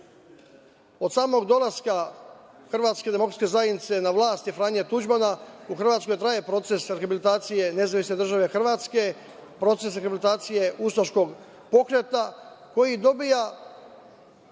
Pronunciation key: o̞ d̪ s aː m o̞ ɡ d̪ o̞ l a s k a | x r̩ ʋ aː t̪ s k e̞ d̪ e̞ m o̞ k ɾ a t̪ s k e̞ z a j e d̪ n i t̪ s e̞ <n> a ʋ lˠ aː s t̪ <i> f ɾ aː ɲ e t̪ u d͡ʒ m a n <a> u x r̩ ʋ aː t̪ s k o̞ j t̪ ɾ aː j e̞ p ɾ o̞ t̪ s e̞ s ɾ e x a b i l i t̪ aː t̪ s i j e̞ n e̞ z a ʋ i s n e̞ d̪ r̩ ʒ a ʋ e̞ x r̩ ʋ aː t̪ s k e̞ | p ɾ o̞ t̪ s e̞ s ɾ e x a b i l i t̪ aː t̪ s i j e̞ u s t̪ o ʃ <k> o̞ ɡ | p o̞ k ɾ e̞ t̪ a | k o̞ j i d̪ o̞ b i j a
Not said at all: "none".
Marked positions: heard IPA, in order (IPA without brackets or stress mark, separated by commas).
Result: n, i, a, k